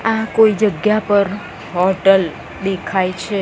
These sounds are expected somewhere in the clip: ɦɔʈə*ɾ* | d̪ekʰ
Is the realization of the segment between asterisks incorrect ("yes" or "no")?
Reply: yes